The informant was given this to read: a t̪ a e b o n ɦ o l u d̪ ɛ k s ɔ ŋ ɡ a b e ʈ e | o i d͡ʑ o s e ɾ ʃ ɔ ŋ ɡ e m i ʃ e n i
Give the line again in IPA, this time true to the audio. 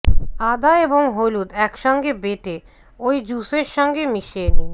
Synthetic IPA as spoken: a d̪ a e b o ŋ ɦ o l u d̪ ɛ k ʃ ɔ ŋ ɡ e b e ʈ e | o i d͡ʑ u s e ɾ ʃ ɔ ŋ ɡ e m i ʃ e n i